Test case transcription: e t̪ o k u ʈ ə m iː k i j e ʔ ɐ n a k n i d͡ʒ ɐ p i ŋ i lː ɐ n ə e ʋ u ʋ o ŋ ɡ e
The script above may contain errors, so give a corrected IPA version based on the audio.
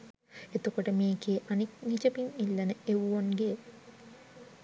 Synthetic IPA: e t̪ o k o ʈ ə m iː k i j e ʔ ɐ n i k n i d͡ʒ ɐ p i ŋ i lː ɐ n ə e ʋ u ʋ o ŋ ɡ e